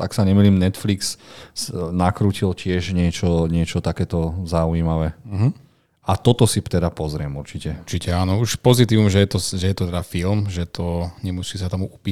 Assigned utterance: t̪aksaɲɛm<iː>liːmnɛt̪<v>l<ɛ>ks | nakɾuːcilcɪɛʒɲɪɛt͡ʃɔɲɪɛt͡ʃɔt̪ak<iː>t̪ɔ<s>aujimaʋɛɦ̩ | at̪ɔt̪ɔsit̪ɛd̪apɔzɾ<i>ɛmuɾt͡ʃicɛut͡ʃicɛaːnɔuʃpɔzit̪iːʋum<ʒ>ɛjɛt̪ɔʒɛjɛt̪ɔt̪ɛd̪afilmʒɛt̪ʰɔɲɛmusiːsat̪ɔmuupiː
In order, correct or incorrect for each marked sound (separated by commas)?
incorrect, incorrect, incorrect, incorrect, incorrect, incorrect, correct